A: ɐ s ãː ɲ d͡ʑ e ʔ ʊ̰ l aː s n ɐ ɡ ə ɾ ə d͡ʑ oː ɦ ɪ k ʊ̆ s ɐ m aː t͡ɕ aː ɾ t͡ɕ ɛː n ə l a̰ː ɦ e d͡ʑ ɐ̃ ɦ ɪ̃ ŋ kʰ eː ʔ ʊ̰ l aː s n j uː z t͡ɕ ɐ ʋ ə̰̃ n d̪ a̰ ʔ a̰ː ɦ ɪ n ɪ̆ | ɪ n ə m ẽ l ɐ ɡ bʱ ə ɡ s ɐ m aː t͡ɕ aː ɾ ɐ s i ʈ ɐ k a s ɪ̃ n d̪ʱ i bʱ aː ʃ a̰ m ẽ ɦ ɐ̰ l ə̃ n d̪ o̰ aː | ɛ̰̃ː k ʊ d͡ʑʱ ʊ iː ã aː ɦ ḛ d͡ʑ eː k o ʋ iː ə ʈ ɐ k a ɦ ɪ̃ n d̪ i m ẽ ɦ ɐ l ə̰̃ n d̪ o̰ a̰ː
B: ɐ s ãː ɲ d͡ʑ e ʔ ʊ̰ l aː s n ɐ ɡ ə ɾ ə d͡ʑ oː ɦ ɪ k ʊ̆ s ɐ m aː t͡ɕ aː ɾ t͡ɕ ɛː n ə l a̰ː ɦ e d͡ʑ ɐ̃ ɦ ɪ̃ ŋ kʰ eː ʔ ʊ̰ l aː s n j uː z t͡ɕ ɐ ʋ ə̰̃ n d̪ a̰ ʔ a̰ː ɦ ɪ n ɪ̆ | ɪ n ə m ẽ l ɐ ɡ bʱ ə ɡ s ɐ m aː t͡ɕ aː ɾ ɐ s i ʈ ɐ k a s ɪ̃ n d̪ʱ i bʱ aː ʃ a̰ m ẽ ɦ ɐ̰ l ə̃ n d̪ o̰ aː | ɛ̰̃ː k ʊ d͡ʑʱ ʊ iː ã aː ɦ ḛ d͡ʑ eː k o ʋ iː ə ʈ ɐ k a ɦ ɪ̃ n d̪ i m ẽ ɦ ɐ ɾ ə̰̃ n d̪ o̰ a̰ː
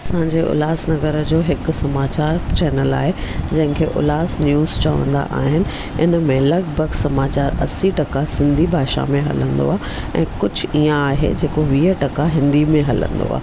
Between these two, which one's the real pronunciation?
A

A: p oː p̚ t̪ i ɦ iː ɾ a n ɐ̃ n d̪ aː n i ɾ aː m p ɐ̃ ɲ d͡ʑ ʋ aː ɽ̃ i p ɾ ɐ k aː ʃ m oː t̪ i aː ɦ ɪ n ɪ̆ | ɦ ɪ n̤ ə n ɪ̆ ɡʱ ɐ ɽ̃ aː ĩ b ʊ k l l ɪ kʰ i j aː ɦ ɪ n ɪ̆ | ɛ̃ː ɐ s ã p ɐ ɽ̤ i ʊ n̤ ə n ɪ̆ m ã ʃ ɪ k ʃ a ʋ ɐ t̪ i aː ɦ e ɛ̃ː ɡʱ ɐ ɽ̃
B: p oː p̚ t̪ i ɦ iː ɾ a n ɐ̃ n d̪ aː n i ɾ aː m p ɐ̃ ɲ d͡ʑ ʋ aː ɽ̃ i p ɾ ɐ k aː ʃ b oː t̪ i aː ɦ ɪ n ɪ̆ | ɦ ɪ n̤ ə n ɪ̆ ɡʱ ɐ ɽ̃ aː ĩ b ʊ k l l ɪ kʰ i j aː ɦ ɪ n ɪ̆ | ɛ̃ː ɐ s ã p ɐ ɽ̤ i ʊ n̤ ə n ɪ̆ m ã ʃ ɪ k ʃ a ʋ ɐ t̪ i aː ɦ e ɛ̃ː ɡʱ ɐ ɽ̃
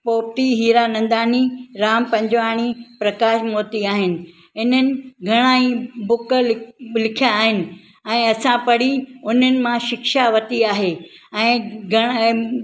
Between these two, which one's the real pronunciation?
A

